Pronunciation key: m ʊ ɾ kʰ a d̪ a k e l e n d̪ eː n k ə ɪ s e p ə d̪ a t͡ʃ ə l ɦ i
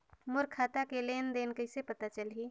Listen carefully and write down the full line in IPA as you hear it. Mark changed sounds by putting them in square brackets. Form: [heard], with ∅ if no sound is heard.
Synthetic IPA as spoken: m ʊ ɾ kʰ a [t̪] a k e l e n d̪ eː n k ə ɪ s e p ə [t̪] a t͡ʃ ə l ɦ i